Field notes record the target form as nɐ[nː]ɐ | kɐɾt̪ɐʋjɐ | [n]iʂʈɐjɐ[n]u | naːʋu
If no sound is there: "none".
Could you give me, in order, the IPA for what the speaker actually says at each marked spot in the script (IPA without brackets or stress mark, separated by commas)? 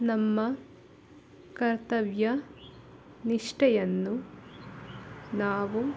mː, n, nː